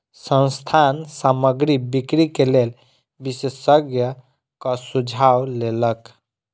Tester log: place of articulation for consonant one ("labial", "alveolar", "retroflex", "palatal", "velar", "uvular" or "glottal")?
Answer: alveolar